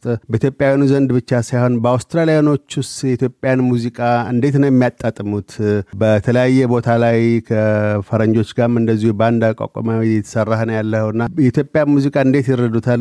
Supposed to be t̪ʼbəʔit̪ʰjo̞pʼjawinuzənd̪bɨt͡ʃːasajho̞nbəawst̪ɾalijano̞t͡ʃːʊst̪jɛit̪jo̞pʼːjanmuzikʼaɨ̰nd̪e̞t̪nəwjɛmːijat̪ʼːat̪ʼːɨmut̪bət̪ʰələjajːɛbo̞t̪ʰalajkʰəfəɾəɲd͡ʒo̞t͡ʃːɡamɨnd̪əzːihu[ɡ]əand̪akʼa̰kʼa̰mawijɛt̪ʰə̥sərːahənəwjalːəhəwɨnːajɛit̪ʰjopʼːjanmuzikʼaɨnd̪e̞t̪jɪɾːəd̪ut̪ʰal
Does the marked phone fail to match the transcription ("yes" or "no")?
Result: yes